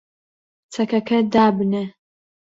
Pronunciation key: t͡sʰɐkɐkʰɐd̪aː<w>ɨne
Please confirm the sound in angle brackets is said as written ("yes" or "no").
no